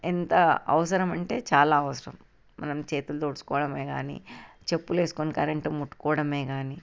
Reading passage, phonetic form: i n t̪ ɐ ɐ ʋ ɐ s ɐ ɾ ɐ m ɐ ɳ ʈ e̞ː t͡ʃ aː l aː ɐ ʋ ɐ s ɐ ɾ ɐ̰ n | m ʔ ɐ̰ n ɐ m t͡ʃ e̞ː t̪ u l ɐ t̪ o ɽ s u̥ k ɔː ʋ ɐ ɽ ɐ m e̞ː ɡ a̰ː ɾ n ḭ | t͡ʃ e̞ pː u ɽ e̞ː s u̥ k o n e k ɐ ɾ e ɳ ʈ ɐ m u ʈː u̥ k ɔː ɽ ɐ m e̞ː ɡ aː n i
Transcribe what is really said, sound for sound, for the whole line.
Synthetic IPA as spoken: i n t̪ ɐ ɐ ʋ ɐ s ɐ ɾ ɐ m ɐ ɳ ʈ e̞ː t͡ʃ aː l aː ɐ ʋ ɐ s ɐ ɾ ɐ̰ m | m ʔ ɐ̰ n ɐ m t͡ʃ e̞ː t̪ u l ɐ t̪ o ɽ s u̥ k ɔː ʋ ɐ ɽ ɐ m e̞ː ɡ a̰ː n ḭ | t͡ʃ e̞ pː u l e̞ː s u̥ k o n i k ɐ ɾ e ɳ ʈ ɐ m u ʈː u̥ k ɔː ɽ ɐ m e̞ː ɡ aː n i